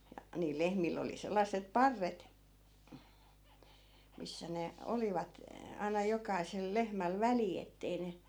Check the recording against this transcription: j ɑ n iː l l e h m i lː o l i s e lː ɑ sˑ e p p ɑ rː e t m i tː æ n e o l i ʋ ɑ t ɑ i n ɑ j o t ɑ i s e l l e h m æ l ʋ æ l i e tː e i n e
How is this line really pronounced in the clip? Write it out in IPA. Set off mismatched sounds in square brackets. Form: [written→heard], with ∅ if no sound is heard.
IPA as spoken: j ɑ n iː l l e h m i lː o l i s e lː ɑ sˑ e p p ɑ rː e t m i [tː→sː] æ n e o l i ʋ ɑ t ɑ i n ɑ j o [t→k] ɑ i s e l l e h m æ l ʋ æ l i e tː e i n e